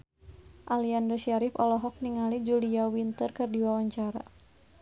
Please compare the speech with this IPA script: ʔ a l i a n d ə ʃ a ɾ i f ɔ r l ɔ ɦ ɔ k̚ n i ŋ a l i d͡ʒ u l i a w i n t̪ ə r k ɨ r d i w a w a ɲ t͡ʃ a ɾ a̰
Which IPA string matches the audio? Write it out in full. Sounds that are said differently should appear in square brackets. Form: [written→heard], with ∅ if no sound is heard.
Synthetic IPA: ʔ a l i a n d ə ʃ a ɾ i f ɔ [r→∅] l ɔ ɦ ɔ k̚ n i ŋ a l i d͡ʒ u l i a w i n t̪ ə r k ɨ r d i w a w a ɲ t͡ʃ a ɾ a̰